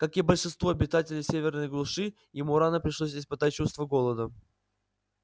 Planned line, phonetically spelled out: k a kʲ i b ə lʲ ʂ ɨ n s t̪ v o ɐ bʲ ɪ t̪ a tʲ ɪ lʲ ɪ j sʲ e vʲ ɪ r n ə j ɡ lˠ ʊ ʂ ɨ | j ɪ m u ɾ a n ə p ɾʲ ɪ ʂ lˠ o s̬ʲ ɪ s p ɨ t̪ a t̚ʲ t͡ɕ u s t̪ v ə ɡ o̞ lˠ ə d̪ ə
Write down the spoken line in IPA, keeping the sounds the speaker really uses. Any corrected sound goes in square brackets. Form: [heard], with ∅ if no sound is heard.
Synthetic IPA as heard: k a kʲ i b ə lʲ ʂ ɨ n s t̪ v o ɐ bʲ ɪ t̪ a tʲ ɪ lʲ ɪ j sʲ e vʲ ɪ r n ə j ɡ lˠ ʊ ʂ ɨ | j ɪ m u ɾ a n ə p ɾʲ ɪ ʂ lˠ o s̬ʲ ɪ s p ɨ t̪ a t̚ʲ t͡ɕ u s t̪ v ə ɡ o̞ lˠ ə d̪ ə